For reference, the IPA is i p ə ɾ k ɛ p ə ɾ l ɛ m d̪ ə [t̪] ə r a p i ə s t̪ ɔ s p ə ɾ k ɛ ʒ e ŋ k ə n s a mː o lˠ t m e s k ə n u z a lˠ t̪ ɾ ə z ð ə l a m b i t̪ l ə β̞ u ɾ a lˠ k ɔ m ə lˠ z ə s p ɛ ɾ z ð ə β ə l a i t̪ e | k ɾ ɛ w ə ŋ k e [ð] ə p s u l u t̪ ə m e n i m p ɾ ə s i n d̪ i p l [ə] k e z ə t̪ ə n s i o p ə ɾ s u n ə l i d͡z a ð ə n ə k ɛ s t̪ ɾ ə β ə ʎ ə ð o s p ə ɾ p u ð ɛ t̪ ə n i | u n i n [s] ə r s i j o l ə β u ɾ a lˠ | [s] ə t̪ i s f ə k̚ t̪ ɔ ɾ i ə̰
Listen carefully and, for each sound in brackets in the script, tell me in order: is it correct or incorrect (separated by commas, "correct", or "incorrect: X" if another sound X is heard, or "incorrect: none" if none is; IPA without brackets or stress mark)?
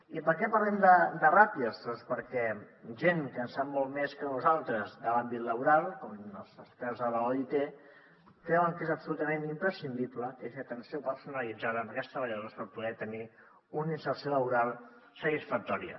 incorrect: d̪, incorrect: z, correct, correct, correct